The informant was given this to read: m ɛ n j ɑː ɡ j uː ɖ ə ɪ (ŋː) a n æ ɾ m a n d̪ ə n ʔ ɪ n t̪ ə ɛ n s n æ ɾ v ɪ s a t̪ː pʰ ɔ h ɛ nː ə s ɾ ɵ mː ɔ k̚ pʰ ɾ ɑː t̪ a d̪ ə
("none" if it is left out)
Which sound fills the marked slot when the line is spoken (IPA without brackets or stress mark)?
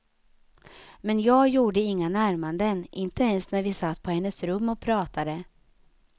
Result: ŋː